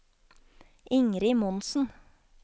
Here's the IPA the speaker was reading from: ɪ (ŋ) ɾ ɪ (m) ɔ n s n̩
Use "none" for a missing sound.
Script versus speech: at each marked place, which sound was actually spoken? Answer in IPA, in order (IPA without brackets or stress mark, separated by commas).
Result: ŋ, m